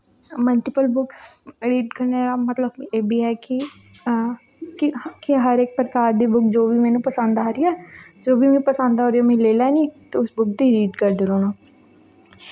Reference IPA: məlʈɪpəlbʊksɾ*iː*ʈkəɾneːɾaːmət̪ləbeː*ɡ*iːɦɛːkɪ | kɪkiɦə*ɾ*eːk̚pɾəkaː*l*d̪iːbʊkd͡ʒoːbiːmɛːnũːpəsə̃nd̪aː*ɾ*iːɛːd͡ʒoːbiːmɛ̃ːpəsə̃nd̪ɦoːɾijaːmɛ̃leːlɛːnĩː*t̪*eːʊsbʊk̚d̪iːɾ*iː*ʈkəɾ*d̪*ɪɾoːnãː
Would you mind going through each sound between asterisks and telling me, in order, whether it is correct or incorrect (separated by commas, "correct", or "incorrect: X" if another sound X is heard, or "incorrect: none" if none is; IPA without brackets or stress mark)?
correct, incorrect: b, correct, incorrect: ɾ, correct, correct, correct, correct